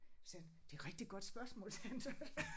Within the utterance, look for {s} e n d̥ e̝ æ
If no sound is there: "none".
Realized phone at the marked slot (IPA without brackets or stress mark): s